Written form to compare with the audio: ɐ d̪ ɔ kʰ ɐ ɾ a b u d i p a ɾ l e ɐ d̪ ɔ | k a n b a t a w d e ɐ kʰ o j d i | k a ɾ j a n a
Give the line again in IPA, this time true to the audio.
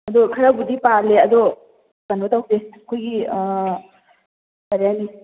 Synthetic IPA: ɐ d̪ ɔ kʰ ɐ ɾ a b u d i p a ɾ l e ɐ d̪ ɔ | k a n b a t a w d e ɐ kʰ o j ɡ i | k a ɾ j a n i